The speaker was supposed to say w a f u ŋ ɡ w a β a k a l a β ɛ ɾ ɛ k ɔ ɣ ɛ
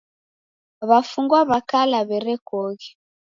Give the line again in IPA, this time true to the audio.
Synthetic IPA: β a f u ŋ ɡ w a β a k a l a β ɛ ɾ ɛ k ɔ ɣ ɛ